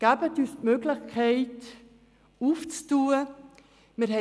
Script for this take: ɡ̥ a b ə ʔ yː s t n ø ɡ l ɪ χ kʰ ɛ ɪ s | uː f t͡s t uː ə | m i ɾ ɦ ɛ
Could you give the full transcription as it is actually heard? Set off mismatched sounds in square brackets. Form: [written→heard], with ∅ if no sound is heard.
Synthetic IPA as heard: ɡ̥ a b ə [ʔ→t] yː s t [n→m] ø ɡ l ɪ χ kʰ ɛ ɪ [s→t] | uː f t͡s t uː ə | m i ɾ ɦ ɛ